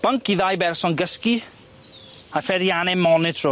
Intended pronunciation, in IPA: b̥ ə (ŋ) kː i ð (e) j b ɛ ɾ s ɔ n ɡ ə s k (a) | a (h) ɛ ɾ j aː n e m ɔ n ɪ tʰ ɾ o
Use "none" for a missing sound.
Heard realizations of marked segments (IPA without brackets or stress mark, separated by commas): ŋ, a, i, f